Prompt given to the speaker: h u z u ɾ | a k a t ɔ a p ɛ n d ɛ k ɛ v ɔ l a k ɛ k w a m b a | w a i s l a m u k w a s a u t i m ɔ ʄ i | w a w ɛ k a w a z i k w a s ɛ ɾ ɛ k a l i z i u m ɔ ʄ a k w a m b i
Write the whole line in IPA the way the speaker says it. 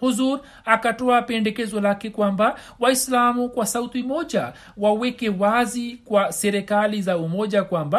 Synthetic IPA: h u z u ɾ | a k a t ɔ a p ɛ n d ɛ k ɛ z ɔ l a k ɛ k w a m b a | w a i s l a m u k w a s a u t i m ɔ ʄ a | w a w ɛ k ɛ w a z i k w a s ɛ ɾ ɛ k a l i z a u m ɔ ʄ a k w a m b a